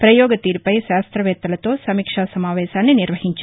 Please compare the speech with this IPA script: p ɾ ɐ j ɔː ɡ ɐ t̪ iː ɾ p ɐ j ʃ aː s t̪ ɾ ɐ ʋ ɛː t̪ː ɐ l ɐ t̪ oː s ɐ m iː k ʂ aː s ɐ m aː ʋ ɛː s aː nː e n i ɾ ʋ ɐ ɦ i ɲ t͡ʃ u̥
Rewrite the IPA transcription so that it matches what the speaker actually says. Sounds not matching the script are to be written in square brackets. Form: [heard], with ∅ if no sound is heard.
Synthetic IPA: p ɾ ɐ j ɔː ɡ ɐ t̪ iː ɾ p ɐ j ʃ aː s t̪ ɾ ɐ ʋ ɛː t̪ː ɐ l ɐ t̪ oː s ɐ m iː k ʂ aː s ɐ m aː ʋ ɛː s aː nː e n i ɾ ʋ ɐ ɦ i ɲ t͡ʃ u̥

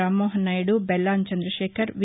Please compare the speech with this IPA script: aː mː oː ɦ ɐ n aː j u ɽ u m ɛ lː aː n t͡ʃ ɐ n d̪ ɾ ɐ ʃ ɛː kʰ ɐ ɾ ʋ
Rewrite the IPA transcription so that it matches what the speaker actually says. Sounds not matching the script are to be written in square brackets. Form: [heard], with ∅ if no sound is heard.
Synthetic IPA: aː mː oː ɦ ɐ n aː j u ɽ u [b] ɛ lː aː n t͡ʃ ɐ n d̪ ɾ ɐ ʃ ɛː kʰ ɐ ɾ ʋ

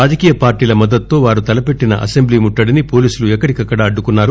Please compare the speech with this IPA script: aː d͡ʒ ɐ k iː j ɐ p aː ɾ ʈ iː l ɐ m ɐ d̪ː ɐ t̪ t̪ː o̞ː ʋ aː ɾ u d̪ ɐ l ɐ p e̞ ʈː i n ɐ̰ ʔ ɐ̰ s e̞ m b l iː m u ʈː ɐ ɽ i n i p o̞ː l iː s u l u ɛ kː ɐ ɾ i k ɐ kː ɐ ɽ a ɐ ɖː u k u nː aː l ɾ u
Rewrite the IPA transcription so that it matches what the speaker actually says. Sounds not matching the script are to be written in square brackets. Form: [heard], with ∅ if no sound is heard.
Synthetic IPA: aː d͡ʒ ɐ k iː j ɐ p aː ɾ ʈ iː l ɐ m ɐ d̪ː ɐ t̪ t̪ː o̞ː ʋ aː ɾ u [t̪] ɐ l ɐ p e̞ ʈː i n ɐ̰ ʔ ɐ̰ s e̞ m b l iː m u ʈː ɐ ɽ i n i p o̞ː l iː s u l u ɛ kː ɐ [ɽ] i k ɐ kː ɐ ɽ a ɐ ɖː u k u nː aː [∅] ɾ u

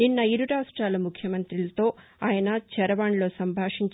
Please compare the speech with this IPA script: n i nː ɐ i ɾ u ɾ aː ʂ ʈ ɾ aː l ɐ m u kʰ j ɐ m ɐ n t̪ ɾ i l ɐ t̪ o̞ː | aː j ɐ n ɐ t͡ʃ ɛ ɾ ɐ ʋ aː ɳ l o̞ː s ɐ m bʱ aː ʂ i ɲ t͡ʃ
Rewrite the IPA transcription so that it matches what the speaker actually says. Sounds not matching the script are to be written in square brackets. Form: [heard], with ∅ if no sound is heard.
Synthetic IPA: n i nː ɐ i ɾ u ɾ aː ʂ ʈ ɾ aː l ɐ m u kʰ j ɐ m ɐ n t̪ ɾ i l ɐ t̪ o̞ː | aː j ɐ n ɐ t͡ʃ ɛ ɾ ɐ ʋ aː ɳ l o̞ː s ɐ m bʱ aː ʂ i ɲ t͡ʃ

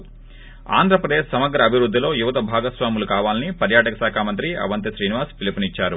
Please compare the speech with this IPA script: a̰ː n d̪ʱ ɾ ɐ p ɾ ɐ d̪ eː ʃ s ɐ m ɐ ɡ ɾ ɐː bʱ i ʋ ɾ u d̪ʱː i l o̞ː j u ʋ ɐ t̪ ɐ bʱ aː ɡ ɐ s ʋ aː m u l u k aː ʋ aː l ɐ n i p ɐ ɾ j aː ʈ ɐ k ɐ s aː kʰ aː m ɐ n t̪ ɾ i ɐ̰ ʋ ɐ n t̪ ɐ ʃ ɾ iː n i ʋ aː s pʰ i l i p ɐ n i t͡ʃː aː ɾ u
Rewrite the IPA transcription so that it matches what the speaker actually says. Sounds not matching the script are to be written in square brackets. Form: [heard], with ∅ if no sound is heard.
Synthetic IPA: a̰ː n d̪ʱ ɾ ɐ p ɾ ɐ d̪ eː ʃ s ɐ m ɐ ɡ ɾ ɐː bʱ i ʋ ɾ u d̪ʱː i l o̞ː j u ʋ ɐ t̪ ɐ bʱ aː ɡ ɐ s ʋ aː m u l u k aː ʋ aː l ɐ n i p ɐ ɾ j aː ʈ ɐ k ɐ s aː kʰ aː m ɐ n t̪ ɾ i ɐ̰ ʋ ɐ n t̪ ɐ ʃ ɾ iː n i ʋ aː s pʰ i l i p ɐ n i t͡ʃː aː ɾ u

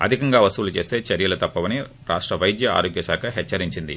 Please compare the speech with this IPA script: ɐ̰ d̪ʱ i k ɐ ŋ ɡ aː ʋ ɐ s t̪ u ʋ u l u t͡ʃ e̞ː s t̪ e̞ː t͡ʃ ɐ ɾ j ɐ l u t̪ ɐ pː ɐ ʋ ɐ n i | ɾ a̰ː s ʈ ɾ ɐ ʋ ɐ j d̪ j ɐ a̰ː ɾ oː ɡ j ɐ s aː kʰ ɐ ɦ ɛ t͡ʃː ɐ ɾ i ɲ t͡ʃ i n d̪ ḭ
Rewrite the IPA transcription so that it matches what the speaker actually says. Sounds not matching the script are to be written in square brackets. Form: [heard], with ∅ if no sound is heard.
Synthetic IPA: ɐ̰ d̪ʱ i k ɐ ŋ ɡ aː ʋ ɐ s t̪ u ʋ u l u t͡ʃ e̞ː s t̪ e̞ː t͡ʃ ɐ ɾ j ɐ l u t̪ ɐ pː ɐ ʋ ɐ n i | ɾ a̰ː [ʂ] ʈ ɾ ɐ ʋ ɐ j d̪ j ɐ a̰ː ɾ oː ɡ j ɐ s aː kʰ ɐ ɦ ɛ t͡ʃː ɐ ɾ i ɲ t͡ʃ i n d̪ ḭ

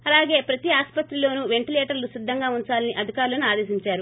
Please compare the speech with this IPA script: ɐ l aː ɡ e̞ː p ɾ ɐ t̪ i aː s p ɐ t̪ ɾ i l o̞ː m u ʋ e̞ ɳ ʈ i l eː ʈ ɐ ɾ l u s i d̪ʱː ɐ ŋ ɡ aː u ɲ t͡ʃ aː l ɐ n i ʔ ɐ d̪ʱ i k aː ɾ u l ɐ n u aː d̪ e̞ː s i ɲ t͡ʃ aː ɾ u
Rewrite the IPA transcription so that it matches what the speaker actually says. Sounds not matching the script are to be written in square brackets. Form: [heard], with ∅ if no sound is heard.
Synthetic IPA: ɐ l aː ɡ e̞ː p ɾ ɐ t̪ i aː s p ɐ t̪ ɾ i l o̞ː [n] u ʋ e̞ ɳ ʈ i l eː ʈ ɐ ɾ l u s i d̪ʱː ɐ ŋ ɡ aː u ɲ t͡ʃ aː l ɐ n i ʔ ɐ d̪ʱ i k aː ɾ u l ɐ n u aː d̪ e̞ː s i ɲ t͡ʃ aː ɾ u

